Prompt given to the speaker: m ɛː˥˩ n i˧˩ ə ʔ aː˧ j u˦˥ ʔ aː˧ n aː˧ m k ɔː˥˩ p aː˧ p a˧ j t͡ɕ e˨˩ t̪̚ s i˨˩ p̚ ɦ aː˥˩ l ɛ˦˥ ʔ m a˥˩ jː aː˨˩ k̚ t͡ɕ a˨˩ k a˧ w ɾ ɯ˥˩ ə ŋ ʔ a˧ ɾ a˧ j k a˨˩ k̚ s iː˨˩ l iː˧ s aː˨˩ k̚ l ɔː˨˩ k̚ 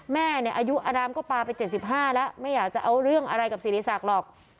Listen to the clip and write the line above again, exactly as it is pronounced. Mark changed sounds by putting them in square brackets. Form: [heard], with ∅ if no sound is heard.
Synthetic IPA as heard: m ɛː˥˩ n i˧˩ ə ʔ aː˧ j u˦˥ ʔ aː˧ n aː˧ m k ɔː˥˩ p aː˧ p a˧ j t͡ɕ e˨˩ t̪̚ s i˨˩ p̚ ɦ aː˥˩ l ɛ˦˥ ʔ m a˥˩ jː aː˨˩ k̚ t͡ɕ a˨˩ [ʔ] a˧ w ɾ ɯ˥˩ ə ŋ ʔ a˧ ɾ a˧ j k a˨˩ [p̚] s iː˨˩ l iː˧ s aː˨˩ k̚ l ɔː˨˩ k̚